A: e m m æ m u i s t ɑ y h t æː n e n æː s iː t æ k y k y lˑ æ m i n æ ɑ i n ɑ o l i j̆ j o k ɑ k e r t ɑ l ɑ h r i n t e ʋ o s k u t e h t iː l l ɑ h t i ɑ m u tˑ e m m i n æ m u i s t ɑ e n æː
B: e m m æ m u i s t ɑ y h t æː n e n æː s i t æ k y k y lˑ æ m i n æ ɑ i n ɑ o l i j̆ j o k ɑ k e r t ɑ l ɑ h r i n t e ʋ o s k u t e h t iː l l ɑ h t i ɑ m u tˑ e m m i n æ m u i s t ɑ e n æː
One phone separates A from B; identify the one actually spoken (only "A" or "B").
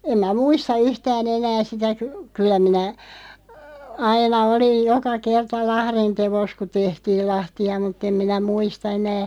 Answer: B